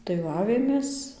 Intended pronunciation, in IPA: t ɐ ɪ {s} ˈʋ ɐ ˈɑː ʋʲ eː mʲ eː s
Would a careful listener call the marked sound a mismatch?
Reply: yes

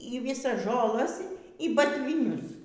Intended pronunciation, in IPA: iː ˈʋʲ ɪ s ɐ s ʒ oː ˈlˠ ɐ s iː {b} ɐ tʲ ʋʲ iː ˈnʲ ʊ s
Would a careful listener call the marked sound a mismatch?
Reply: no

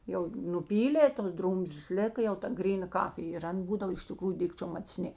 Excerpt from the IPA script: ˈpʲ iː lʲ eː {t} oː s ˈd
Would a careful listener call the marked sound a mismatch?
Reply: no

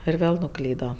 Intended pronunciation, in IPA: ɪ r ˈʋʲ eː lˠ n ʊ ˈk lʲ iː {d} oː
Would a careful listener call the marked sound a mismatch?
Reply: no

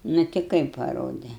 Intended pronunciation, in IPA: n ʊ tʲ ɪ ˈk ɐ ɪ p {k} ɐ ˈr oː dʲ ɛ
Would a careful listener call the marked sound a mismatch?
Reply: yes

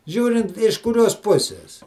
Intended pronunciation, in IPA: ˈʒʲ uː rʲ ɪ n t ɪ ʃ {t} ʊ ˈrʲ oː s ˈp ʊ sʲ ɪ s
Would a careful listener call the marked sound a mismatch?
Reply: yes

